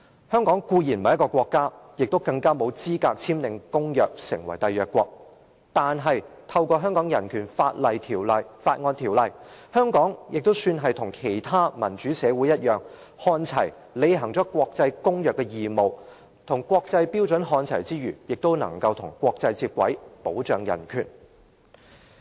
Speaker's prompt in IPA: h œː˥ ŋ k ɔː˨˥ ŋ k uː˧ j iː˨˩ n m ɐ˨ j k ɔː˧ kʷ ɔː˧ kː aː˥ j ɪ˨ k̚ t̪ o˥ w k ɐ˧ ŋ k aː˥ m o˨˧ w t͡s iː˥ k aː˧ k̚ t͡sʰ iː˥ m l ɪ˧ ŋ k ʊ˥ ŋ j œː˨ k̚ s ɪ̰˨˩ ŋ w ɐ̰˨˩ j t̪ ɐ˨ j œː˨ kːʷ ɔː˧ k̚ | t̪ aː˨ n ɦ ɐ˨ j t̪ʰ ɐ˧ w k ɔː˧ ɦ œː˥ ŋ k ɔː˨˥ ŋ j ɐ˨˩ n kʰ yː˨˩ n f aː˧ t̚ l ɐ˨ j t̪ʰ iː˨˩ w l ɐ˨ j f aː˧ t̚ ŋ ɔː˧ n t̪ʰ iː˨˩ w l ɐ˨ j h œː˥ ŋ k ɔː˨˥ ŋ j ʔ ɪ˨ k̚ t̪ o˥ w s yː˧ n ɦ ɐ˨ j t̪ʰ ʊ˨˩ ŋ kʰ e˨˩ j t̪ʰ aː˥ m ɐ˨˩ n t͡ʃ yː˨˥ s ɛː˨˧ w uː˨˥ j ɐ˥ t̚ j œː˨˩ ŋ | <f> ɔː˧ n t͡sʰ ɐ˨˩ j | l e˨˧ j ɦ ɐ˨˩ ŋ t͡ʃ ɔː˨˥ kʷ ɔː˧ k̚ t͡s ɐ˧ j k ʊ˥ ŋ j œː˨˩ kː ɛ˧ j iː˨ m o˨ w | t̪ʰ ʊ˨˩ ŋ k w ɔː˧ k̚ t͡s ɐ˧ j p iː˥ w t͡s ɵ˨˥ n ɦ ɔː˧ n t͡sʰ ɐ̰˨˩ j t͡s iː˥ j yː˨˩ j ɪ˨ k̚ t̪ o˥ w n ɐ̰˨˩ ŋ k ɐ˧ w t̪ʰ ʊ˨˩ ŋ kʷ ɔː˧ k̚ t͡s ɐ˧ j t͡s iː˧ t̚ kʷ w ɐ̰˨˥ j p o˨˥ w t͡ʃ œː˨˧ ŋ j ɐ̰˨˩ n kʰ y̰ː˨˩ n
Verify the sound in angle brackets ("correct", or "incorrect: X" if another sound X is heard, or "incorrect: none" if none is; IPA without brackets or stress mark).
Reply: incorrect: h